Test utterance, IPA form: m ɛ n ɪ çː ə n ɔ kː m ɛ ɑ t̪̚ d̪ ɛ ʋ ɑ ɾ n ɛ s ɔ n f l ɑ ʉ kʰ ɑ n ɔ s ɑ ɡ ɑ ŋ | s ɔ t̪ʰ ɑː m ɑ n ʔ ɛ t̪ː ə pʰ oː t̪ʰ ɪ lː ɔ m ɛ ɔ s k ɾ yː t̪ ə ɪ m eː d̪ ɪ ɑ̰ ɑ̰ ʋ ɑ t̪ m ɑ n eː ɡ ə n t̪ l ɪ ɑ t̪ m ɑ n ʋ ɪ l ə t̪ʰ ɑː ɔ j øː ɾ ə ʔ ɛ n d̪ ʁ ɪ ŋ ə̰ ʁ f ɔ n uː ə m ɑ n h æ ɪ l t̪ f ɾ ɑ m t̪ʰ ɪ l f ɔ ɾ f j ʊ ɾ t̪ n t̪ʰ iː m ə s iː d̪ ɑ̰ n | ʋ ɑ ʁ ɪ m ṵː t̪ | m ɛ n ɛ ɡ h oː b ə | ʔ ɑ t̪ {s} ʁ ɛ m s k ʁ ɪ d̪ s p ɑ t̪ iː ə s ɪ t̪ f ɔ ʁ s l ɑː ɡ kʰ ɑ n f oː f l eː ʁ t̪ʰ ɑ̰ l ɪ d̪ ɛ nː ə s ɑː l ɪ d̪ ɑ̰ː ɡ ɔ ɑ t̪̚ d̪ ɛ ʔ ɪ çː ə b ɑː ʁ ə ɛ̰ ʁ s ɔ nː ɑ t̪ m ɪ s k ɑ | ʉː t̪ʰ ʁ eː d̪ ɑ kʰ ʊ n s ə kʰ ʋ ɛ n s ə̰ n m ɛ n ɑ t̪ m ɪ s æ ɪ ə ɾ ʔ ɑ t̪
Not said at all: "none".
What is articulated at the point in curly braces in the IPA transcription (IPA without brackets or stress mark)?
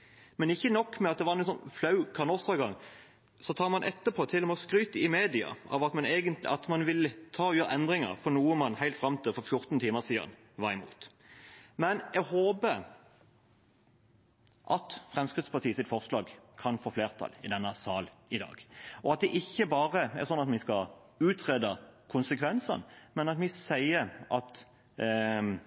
f